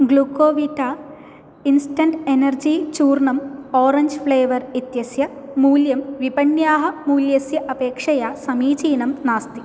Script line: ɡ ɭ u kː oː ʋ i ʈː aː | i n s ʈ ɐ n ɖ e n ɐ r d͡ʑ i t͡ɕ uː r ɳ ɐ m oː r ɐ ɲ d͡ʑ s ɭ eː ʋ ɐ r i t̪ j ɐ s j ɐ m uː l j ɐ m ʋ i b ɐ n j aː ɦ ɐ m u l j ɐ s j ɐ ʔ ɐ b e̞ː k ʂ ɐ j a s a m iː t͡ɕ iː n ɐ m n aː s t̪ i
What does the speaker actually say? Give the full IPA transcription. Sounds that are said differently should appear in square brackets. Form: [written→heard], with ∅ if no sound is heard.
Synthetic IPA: ɡ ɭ u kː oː ʋ i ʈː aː | i n s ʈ ɐ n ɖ e n ɐ r d͡ʑ i t͡ɕ uː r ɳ ɐ m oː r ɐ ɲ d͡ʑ [s→f] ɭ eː ʋ ɐ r i t̪ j ɐ s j ɐ m uː l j ɐ m ʋ i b ɐ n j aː ɦ ɐ m [u→uː] l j ɐ s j ɐ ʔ ɐ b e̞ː k ʂ ɐ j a s [a→ɐ] m iː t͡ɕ iː n ɐ m n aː s t̪ i